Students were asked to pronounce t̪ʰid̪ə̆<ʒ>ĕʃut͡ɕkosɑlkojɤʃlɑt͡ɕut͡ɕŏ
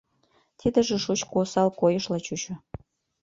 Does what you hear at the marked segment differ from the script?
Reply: no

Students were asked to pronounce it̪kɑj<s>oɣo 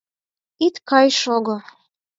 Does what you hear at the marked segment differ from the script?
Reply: yes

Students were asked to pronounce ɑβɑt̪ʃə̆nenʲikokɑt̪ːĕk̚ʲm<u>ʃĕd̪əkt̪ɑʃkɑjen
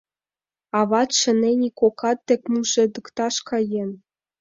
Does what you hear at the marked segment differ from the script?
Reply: no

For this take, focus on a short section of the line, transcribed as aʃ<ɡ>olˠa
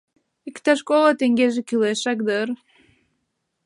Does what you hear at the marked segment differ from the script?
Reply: yes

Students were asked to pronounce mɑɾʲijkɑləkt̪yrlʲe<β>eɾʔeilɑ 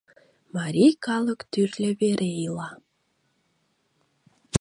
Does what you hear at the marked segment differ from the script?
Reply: no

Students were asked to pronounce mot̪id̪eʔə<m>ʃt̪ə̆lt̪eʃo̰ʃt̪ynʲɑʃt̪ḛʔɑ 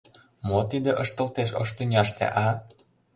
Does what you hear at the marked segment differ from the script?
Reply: yes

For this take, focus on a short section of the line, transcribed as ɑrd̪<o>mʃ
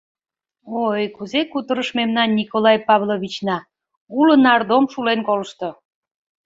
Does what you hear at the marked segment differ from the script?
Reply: no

